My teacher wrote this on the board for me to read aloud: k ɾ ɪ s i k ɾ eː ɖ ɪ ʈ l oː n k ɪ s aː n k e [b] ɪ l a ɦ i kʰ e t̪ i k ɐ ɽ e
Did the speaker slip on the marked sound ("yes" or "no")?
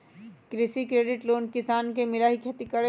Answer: yes